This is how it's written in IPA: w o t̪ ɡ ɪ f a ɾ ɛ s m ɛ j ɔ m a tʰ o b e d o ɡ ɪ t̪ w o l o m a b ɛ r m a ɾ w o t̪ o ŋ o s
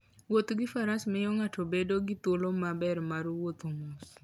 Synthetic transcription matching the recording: w o t̪ ɡ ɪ f a ɾ a s m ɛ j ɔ ŋ a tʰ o b e d o ɡ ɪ t̪ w o l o m a b ɛ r m a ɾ w o t̪ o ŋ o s